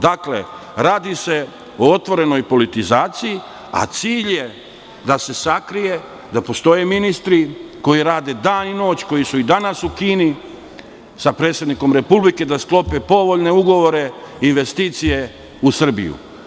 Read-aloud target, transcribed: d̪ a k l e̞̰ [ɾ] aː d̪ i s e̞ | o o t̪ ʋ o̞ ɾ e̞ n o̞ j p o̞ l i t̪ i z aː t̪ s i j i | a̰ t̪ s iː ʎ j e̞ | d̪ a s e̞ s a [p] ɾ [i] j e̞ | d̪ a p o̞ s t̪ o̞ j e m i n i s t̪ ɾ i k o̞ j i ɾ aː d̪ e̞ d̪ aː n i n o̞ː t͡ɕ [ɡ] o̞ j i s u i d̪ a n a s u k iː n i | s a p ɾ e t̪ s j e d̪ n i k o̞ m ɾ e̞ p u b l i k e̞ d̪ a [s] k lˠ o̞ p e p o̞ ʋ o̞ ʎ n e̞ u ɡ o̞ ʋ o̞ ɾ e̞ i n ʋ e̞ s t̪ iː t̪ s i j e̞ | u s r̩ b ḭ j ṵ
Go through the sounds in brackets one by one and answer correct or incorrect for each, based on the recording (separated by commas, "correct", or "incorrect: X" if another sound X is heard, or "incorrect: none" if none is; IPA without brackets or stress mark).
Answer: correct, incorrect: k, correct, incorrect: k, correct